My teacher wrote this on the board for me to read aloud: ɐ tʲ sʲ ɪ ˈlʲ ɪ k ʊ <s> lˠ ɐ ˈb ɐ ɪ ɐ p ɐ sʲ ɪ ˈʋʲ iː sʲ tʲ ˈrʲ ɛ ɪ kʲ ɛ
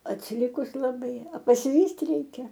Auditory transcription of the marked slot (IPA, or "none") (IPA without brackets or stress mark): s